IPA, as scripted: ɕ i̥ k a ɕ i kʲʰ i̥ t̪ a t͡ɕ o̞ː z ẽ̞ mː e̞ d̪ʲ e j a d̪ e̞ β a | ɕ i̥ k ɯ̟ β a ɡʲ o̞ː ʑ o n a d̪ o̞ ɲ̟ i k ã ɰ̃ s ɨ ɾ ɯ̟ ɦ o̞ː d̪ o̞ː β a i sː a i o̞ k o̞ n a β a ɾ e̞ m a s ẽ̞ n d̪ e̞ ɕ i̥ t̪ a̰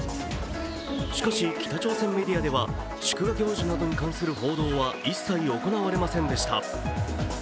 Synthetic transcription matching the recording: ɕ i̥ k a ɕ i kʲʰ i̥ t̪ a t͡ɕ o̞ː s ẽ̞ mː e̞ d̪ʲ i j a d̪ e̞ β a | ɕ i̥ k ɯ̟ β a ɡʲ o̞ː ʑ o n a d̪ o̞ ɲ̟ i k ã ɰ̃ s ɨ ɾ ɯ̟ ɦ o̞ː d̪ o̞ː β a i sː a i o̞ k o̞ n a β a ɾ e̞ m a s ẽ̞ n d̪ e̞ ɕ i̥ t̪ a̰